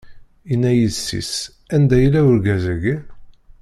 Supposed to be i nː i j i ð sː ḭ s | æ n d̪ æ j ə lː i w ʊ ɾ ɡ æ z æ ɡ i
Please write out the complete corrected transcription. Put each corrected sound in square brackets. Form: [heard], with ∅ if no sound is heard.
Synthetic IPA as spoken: i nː [æ] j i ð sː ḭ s | æ n d̪ æ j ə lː [æ] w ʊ ɾ ɡ æ z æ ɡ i